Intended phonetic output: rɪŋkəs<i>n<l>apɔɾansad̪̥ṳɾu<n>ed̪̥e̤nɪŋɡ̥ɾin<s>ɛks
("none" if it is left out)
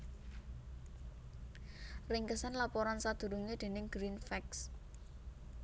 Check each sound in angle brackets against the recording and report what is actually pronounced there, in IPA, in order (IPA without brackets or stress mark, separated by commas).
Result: a, l, ŋ, f